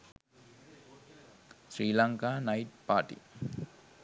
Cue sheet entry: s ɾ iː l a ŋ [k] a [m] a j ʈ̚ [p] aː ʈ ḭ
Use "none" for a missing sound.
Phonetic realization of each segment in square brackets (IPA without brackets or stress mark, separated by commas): k, n, p